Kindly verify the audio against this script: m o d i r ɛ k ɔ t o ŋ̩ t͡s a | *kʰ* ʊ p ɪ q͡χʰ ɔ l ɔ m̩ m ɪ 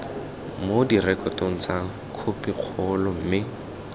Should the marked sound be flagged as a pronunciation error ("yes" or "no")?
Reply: no